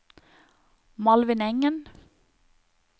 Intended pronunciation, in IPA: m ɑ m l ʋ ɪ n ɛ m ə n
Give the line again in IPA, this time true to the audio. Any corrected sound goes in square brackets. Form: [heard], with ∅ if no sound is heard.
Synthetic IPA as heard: m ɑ [∅] l ʋ ɪ n ɛ [ŋ] ə n